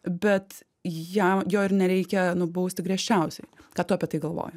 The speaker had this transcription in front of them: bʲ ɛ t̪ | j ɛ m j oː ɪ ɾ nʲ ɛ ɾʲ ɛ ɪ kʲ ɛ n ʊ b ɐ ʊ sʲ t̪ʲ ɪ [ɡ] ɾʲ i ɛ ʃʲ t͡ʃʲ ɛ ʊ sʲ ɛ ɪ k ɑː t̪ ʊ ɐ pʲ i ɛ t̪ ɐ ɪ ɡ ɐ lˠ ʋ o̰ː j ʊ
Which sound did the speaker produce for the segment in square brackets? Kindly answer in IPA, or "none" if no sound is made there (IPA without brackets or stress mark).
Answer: ɡ